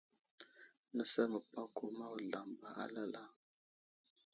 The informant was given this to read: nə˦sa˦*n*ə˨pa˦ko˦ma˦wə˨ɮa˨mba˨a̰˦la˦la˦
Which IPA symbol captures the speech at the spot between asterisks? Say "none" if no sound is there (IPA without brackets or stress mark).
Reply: m